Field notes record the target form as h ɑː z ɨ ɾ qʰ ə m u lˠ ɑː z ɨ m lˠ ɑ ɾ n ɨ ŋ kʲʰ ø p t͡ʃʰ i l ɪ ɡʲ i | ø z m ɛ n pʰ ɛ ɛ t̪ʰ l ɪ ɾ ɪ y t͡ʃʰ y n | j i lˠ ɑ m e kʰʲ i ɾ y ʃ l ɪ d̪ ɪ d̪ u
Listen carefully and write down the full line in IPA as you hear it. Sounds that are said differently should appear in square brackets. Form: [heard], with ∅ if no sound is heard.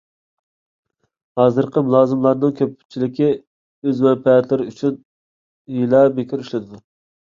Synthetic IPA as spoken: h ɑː z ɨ ɾ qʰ ə m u lˠ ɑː z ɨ m lˠ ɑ ɾ n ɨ ŋ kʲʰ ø p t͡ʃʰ i l ɪ [kʲ] i | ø z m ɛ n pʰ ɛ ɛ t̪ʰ l ɪ ɾ ɪ y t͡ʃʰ y n | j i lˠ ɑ [b] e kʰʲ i ɾ y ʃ l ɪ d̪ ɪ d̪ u